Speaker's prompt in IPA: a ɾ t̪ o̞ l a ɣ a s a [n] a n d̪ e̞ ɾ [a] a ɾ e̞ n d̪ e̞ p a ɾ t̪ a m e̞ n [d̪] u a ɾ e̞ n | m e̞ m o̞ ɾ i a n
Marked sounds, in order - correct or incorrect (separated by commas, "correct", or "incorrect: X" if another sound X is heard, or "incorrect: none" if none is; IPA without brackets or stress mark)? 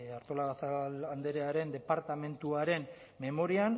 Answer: incorrect: none, incorrect: e, incorrect: t̪